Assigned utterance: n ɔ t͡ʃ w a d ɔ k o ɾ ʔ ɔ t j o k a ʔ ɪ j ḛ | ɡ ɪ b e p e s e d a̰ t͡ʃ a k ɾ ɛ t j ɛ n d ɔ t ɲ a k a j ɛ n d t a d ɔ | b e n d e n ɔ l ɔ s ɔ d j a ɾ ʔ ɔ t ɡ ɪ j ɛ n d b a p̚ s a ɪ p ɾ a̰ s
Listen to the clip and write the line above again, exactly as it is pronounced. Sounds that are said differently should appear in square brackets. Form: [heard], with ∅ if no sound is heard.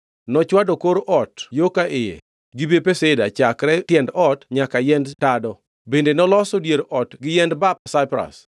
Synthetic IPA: n ɔ t͡ʃ w a d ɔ k o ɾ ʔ ɔ t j o k a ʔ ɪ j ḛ | ɡ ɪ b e p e s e d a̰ t͡ʃ a k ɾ ɛ t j ɛ n d ɔ t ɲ a k a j ɛ n d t a d ɔ | b e n d e n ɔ l ɔ s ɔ d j [e] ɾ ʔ ɔ t ɡ ɪ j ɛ n d b a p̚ s a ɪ p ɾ a̰ s